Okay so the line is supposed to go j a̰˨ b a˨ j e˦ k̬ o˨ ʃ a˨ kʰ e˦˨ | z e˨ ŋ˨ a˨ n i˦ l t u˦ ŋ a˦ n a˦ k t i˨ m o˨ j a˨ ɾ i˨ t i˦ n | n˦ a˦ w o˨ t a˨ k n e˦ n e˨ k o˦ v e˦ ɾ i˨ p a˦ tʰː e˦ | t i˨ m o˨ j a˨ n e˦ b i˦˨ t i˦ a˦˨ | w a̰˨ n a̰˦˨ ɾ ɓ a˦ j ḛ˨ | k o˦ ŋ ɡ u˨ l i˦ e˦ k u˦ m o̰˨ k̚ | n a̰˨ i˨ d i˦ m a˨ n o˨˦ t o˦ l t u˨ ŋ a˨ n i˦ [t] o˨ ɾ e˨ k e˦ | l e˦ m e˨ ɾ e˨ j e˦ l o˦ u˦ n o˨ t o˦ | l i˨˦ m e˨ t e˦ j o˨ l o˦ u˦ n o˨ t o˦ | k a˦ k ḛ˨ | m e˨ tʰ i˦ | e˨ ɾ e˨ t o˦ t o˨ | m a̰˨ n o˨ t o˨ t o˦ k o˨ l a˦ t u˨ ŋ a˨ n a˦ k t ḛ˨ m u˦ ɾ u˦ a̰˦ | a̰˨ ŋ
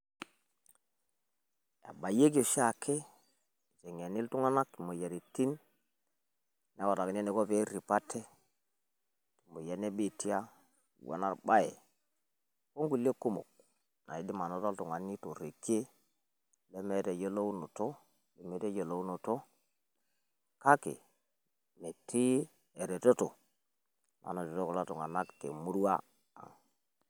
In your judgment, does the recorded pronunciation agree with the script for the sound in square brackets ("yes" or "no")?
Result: yes